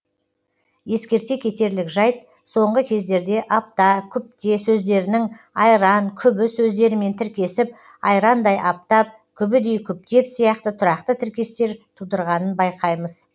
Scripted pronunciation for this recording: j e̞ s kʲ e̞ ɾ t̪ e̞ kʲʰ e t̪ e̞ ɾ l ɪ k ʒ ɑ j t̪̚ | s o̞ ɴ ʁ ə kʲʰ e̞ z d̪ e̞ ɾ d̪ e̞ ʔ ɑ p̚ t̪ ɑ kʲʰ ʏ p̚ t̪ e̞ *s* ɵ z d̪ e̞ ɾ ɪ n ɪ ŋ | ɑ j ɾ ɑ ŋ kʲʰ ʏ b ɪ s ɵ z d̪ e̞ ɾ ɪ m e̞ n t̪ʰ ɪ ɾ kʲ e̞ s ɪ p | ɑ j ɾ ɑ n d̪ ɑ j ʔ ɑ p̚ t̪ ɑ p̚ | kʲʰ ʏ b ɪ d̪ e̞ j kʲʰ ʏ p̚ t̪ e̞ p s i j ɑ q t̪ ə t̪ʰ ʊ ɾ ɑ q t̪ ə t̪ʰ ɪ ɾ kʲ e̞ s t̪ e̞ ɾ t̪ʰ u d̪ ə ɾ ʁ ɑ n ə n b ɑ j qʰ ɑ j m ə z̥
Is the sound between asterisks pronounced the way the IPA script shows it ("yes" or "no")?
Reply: yes